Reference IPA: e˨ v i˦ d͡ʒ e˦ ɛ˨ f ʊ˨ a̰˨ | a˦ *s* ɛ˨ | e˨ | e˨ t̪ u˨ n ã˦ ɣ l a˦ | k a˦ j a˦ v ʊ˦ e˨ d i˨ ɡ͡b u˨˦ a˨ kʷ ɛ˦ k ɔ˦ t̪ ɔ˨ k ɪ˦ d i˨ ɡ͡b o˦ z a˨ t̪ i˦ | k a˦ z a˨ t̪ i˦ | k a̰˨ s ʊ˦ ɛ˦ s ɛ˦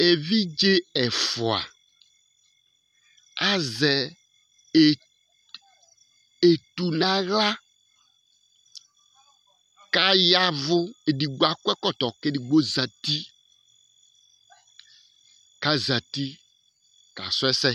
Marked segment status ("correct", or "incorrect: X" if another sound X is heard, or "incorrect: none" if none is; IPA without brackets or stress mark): incorrect: z